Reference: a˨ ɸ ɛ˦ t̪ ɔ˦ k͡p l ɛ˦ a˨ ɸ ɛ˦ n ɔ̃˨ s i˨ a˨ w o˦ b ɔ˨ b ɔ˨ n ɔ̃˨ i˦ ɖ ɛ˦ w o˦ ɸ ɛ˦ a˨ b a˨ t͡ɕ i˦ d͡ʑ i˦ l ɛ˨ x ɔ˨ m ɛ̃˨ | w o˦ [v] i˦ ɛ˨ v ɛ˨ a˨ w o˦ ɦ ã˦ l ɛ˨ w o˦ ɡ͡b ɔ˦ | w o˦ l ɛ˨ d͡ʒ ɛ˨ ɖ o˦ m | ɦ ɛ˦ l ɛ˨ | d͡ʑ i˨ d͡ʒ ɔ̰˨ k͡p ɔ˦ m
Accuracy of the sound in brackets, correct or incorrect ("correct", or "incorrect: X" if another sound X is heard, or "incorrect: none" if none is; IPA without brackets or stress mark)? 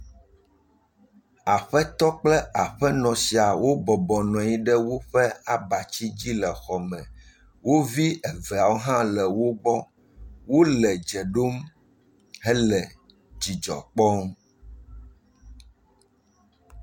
correct